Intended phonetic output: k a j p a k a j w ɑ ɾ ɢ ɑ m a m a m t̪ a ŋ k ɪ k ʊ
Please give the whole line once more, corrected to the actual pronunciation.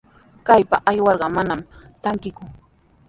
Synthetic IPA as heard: k a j p a ʔ a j w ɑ ɾ ɢ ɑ m a n a m t̪ a ŋ k ɪ k ʊ